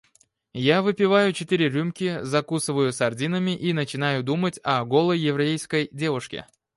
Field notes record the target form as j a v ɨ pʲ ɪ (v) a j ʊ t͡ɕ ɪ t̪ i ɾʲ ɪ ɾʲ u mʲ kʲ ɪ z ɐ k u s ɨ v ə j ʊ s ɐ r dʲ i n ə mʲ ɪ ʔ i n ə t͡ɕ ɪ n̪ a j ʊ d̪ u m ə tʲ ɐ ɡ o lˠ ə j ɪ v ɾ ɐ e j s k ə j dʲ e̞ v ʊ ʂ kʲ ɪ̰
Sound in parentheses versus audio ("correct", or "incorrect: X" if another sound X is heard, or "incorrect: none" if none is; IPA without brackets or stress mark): correct